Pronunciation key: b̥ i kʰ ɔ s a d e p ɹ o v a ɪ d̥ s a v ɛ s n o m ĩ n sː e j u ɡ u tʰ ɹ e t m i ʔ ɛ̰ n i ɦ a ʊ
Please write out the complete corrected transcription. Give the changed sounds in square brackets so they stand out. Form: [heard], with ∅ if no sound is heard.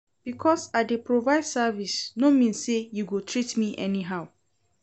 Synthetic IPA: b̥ i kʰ ɔ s a d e p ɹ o v a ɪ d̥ s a v [i] s n o m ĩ n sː e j u ɡ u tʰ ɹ [i] t m i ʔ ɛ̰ n i ɦ a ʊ